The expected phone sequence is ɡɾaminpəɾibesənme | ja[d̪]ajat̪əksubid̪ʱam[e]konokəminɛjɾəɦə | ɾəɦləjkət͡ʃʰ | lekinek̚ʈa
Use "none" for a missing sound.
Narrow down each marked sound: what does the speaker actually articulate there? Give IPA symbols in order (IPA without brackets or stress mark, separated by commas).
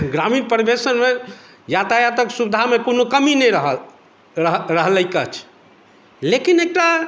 t̪, e